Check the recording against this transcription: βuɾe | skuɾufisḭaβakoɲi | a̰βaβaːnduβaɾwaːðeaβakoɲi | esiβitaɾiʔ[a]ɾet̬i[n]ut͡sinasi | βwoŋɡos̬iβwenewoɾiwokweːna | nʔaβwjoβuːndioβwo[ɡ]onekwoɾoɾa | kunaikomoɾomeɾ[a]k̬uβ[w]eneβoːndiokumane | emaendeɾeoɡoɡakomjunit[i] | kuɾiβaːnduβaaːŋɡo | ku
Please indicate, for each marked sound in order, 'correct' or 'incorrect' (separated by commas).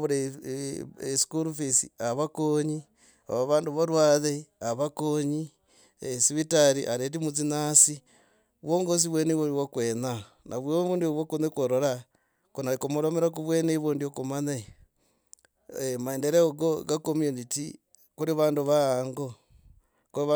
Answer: correct, incorrect, incorrect, correct, correct, correct